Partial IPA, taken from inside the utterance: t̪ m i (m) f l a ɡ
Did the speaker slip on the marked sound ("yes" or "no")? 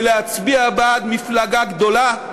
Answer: yes